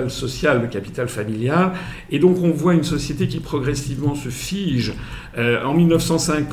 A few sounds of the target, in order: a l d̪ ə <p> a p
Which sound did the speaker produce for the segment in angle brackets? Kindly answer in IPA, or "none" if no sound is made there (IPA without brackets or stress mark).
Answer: k